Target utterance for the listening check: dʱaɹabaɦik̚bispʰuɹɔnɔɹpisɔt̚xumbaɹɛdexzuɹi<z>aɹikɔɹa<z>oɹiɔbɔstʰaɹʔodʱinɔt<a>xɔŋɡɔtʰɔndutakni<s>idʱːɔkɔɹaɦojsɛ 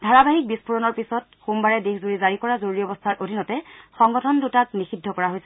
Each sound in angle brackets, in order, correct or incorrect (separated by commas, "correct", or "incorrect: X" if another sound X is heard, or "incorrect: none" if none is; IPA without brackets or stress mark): correct, correct, incorrect: ɛ, incorrect: x